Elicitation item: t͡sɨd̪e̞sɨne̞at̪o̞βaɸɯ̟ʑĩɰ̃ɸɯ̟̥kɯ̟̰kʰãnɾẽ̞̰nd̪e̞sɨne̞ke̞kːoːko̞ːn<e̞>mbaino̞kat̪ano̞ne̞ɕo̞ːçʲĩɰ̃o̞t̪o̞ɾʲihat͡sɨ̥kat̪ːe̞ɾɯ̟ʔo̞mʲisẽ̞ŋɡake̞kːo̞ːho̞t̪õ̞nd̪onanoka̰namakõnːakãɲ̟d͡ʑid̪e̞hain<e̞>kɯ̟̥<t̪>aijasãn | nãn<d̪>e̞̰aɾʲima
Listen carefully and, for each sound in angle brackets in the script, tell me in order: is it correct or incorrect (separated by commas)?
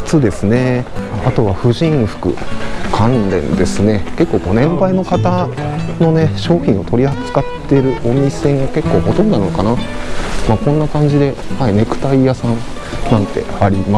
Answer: incorrect, correct, correct, incorrect